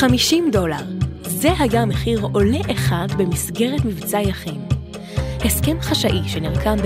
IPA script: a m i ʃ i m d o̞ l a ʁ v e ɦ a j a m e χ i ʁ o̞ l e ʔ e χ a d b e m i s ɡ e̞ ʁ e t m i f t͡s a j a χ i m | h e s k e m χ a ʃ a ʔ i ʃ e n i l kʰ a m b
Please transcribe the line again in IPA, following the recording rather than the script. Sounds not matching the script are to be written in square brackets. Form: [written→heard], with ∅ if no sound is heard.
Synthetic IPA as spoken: a m i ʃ i m d o̞ l a ʁ [v→z] e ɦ a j a m e χ i ʁ o̞ l e ʔ e χ a d b e m i s ɡ e̞ ʁ e t m i [f→v] t͡s a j a χ i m | h e s k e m χ a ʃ a ʔ i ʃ e n i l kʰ a m b